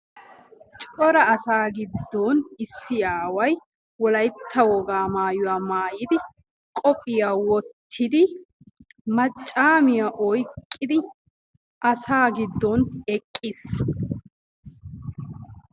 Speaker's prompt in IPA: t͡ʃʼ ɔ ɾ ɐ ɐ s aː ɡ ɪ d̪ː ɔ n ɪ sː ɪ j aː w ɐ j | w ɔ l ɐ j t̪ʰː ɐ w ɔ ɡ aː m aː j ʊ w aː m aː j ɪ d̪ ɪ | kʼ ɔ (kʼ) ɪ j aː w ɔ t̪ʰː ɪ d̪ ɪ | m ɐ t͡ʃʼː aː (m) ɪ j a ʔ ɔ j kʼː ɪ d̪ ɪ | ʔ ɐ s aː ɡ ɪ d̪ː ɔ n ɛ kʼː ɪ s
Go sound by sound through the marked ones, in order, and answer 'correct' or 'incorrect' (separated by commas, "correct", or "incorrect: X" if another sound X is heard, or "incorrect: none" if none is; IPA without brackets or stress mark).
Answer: incorrect: pʼ, correct